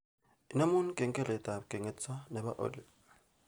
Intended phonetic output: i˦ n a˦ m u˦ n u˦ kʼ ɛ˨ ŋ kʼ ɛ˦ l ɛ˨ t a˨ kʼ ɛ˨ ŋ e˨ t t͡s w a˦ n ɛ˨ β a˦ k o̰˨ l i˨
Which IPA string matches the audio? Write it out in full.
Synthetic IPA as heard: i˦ n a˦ m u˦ n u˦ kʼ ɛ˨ ŋ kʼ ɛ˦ l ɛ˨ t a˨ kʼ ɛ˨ ŋ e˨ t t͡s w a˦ n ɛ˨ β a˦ ʔ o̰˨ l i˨